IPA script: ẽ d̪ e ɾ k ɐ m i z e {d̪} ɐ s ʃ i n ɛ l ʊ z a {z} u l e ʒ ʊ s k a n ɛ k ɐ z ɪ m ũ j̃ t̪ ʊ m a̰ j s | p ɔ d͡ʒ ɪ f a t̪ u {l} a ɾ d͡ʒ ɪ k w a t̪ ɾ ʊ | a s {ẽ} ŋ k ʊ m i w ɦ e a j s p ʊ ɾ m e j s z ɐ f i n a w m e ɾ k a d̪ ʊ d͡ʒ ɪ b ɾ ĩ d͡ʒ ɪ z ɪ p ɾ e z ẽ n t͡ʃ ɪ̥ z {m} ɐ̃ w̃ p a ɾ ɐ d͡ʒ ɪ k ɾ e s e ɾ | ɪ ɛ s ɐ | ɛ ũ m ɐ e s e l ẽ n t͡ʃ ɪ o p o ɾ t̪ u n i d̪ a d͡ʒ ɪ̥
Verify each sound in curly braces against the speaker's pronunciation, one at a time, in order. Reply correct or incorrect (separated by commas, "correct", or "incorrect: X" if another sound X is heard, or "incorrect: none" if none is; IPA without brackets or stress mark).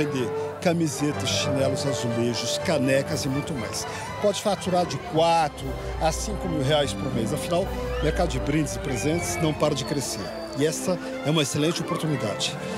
incorrect: t̪, correct, incorrect: ɾ, incorrect: ĩ, incorrect: n